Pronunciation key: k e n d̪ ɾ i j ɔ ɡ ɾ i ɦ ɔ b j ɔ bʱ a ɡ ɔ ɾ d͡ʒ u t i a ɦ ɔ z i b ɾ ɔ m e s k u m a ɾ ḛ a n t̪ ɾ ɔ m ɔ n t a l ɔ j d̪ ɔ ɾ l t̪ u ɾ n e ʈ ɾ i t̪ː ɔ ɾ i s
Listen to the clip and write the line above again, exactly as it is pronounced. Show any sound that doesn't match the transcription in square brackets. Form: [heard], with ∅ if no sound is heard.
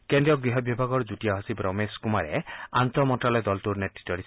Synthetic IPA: k e n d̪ ɾ i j ɔ ɡ ɾ i ɦ ɔ b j ɔ bʱ a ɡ ɔ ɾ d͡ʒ u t i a ɦ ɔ [s] i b ɾ ɔ m e s k u m a ɾ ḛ a n t̪ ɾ ɔ m ɔ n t a l ɔ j d̪ ɔ [∅] l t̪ u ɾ n e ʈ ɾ i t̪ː ɔ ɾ i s